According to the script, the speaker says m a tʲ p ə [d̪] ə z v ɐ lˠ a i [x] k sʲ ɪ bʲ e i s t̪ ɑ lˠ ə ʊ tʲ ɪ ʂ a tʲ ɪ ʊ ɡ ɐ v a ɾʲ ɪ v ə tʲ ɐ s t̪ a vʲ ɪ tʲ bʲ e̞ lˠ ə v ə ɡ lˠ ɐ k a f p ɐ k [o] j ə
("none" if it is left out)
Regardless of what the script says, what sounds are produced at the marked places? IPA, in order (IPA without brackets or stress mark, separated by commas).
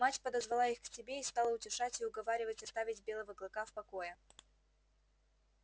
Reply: d̪, x, o